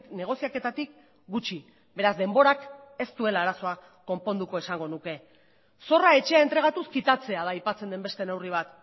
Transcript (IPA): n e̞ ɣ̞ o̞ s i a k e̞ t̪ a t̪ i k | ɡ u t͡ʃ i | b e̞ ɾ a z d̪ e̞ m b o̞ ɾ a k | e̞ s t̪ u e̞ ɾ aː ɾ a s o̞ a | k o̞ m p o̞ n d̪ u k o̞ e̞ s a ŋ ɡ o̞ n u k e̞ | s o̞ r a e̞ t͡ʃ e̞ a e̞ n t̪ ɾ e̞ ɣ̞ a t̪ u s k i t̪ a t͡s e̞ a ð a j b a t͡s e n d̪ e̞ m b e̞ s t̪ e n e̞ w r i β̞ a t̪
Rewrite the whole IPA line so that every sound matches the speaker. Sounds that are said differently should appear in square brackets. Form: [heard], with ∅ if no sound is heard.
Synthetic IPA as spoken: n e̞ ɣ̞ o̞ s i a k e̞ t̪ a t̪ i k | ɡ u t͡ʃ i | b e̞ ɾ a z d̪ e̞ m b o̞ ɾ a k | e̞ s t̪ u e̞ [l] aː ɾ a s o̞ a | k o̞ m p o̞ n d̪ u k o̞ e̞ s a ŋ ɡ o̞ n u k e̞ | s o̞ r a e̞ t͡ʃ e̞ a e̞ n t̪ ɾ e̞ ɣ̞ a t̪ u s k i t̪ a t͡s e̞ a ð a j [p] a t͡s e n d̪ e̞ m b e̞ s t̪ e n e̞ w r i β̞ a t̪

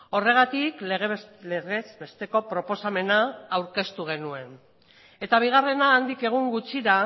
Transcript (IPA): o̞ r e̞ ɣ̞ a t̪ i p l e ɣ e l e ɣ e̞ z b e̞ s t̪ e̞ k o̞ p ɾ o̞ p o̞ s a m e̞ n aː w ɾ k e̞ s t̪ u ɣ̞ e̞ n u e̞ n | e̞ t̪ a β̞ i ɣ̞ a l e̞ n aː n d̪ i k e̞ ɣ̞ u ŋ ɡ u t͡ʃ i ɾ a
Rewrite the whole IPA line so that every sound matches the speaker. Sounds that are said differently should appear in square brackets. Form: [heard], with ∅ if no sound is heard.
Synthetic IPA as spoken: o̞ r e̞ ɣ̞ a t̪ i [k] l e ɣ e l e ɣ e̞ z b e̞ s t̪ e̞ k o̞ p ɾ o̞ p o̞ s a m e̞ n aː w ɾ k e̞ s t̪ u ɣ̞ e̞ n u e̞ n | e̞ t̪ a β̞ i ɣ̞ a [r] e̞ n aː n d̪ i k e̞ ɣ̞ u ŋ ɡ u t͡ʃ i ɾ a

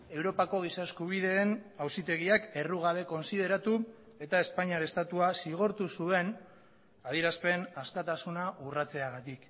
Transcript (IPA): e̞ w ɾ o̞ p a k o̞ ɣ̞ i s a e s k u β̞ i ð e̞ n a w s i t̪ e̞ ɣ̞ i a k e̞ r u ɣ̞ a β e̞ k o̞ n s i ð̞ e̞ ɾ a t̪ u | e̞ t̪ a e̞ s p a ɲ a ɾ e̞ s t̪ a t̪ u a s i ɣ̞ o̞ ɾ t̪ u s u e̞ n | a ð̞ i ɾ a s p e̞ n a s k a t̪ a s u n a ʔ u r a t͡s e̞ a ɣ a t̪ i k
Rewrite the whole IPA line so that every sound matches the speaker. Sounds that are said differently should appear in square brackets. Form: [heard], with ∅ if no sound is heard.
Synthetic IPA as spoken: e̞ w ɾ o̞ p a k o̞ ɣ̞ i s a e s k u β̞ i ð e̞ n a w s i t̪ e̞ ɣ̞ i a k e̞ r u ɣ̞ a β e̞ k o̞ n s i ð̞ e̞ ɾ a t̪ u | e̞ t̪ a e̞ s p a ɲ a ɾ e̞ s t̪ a t̪ u a s i ɣ̞ o̞ ɾ t̪ u s u e̞ n | a ð̞ i ɾ a s p e̞ n a s k a t̪ a s u n a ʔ u r a t͡s e̞ a ɣ a t̪ i k

